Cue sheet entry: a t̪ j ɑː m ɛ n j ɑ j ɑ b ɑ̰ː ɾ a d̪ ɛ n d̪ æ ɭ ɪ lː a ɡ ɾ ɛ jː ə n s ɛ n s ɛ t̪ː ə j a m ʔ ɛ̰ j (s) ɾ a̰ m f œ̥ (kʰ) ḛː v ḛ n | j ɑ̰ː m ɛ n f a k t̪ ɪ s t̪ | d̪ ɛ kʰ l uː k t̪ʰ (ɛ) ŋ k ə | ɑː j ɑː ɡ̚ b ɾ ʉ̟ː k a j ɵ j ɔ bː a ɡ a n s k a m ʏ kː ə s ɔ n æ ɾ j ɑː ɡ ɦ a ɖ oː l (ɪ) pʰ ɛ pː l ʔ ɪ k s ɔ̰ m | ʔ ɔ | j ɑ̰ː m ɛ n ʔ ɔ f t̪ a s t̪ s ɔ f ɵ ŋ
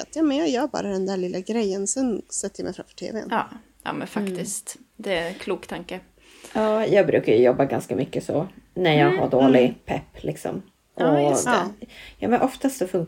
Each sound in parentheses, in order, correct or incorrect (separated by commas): incorrect, incorrect, incorrect, correct